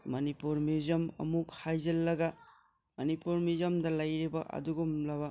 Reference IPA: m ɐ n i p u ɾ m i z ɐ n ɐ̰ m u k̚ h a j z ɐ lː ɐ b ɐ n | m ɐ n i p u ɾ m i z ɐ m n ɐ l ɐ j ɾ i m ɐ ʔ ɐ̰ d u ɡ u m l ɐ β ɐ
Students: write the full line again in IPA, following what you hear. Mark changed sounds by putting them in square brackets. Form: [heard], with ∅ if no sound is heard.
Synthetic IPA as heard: m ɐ n i p u ɾ m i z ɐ [m] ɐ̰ m u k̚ h a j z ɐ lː ɐ [ɡ] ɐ [∅] | m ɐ n i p u ɾ m i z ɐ m [d] ɐ l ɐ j ɾ i [b] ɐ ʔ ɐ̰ d u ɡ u m l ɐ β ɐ